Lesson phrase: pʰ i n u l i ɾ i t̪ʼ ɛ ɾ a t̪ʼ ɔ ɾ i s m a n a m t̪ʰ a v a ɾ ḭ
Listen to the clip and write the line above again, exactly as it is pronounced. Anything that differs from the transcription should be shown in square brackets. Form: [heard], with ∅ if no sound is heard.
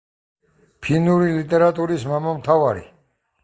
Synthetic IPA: pʰ i n u [ɾ] i [l] i t̪ʼ ɛ ɾ a t̪ʼ [u] ɾ i s m a [m] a m t̪ʰ a v a ɾ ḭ